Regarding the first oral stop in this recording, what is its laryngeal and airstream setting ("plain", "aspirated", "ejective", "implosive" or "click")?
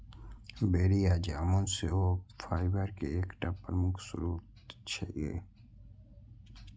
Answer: plain